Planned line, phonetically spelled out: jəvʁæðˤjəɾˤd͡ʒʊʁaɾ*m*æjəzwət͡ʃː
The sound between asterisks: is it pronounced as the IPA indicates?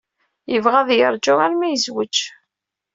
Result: yes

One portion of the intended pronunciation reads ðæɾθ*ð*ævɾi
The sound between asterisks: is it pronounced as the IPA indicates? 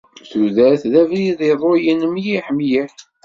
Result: yes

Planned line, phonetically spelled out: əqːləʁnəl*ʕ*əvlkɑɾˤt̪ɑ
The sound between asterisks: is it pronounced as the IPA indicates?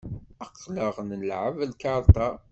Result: yes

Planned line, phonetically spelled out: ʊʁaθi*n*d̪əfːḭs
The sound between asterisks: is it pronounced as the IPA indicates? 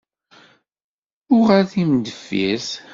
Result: no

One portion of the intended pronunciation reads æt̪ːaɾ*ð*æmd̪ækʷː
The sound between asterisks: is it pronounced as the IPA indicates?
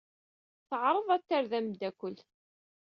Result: yes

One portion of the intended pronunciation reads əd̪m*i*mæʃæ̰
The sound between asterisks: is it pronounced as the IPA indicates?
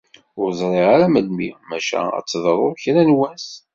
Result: yes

